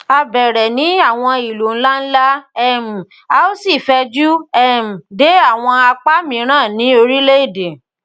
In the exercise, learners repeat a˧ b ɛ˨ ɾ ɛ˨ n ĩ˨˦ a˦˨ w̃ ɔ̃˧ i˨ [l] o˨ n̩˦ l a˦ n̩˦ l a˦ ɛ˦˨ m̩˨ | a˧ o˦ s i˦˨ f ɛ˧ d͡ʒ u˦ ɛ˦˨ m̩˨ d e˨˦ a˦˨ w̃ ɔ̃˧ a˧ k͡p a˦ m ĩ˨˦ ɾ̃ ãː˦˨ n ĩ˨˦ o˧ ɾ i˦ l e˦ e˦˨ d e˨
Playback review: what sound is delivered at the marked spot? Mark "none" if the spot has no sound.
l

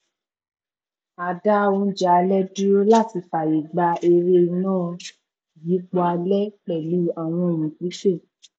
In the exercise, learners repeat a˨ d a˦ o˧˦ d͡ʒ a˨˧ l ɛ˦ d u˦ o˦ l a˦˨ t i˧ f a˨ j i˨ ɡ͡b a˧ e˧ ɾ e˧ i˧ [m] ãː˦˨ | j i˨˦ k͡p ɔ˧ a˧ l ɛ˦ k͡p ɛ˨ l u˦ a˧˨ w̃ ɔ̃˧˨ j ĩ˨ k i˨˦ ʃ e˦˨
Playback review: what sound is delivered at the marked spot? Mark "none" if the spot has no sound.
n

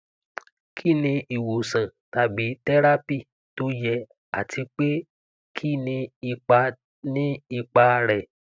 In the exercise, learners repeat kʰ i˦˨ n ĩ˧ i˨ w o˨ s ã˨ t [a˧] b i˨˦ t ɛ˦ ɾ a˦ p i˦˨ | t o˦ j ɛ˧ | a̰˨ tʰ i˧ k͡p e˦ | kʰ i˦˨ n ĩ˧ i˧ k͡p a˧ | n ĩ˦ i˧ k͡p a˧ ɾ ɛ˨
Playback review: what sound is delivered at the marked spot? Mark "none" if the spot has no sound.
a˧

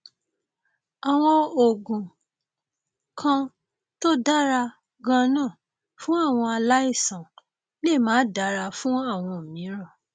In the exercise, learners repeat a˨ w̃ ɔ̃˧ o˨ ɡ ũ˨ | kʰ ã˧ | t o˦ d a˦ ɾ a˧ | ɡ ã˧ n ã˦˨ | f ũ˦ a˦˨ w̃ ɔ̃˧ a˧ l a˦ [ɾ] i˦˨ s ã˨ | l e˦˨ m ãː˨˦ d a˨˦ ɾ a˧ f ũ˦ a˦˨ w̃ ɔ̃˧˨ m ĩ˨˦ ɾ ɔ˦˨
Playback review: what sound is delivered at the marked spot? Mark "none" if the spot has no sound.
none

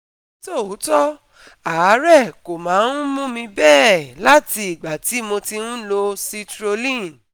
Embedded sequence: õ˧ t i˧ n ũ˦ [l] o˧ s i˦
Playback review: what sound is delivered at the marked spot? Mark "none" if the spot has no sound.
l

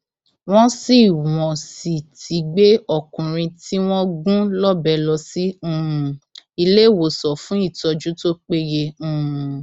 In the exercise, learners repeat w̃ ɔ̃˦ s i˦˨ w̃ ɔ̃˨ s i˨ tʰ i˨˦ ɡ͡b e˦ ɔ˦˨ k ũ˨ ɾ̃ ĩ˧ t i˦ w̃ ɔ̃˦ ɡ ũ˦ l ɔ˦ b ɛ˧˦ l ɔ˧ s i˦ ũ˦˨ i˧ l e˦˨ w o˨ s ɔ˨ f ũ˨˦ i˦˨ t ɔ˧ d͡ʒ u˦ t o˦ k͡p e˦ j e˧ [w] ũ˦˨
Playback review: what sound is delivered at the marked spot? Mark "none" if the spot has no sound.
none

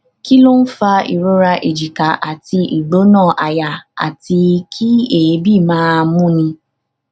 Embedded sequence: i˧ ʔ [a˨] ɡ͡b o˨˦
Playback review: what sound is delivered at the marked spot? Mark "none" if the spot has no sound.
i˨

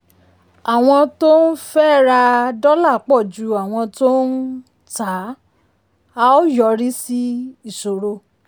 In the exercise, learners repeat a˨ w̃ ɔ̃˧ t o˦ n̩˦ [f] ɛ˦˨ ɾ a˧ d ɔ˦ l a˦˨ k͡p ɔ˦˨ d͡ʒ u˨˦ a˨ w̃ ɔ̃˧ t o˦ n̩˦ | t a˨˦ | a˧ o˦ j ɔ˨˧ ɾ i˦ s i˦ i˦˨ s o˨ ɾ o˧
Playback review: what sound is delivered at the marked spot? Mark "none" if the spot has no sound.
f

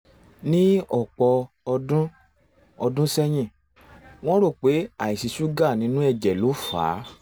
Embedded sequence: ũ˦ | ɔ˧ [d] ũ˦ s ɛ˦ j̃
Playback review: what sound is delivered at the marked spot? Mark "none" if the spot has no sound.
d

